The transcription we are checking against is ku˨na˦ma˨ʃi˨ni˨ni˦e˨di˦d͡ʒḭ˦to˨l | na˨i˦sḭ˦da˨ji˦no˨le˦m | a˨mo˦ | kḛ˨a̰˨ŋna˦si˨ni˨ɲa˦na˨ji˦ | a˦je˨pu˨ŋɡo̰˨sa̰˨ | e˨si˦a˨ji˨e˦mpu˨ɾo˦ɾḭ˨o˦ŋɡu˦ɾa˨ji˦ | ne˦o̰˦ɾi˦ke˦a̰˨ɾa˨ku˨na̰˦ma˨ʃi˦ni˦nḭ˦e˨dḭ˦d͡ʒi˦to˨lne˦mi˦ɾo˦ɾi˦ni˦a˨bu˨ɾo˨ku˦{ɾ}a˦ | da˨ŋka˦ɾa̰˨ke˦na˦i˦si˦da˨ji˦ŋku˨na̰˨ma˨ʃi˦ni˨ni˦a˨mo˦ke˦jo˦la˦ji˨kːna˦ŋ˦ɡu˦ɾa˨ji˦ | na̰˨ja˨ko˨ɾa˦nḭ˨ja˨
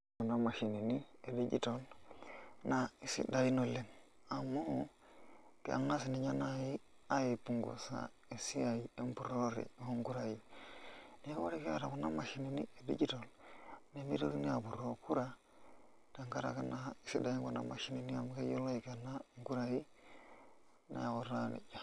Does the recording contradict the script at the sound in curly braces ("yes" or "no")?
no